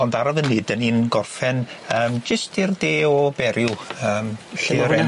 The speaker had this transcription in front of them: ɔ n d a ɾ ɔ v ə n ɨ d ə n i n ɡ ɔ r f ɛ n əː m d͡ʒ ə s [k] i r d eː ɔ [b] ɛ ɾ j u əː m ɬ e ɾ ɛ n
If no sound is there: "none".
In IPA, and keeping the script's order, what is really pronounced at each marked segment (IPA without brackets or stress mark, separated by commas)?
t, b